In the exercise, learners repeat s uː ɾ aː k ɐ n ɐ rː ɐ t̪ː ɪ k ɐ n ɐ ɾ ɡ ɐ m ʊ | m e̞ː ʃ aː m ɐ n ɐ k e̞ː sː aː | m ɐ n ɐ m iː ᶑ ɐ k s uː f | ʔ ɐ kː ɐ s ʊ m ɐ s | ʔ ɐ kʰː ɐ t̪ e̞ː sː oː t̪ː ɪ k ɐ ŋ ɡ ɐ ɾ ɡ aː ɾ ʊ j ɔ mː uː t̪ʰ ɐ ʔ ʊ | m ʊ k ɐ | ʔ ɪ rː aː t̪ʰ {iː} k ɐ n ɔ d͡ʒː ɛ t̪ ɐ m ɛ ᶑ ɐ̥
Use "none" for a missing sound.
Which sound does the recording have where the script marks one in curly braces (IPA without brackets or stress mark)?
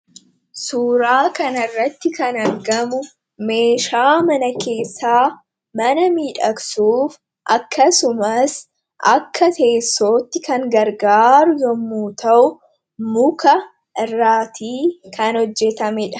iː